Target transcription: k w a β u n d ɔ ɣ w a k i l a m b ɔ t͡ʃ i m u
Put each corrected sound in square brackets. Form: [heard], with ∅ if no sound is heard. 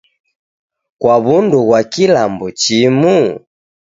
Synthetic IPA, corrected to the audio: k w a β u n d [u] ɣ w a k i l a m b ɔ t͡ʃ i m u